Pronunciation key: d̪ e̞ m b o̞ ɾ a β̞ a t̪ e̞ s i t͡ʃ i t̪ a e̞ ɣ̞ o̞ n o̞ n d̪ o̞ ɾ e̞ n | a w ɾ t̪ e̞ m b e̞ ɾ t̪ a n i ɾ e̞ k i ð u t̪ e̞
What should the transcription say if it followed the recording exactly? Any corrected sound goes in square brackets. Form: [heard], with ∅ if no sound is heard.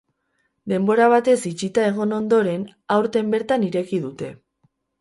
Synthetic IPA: d̪ e̞ m b o̞ ɾ a β̞ a t̪ e̞ s i t͡ʃ i t̪ a e̞ ɣ̞ o̞ n o̞ n d̪ o̞ ɾ e̞ n | a w ɾ t̪ e̞ m b e̞ ɾ t̪ a n i ɾ e̞ k i ð u t̪ e̞